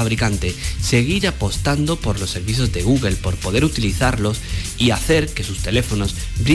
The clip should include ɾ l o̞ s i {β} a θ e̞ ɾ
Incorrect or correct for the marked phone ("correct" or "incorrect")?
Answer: incorrect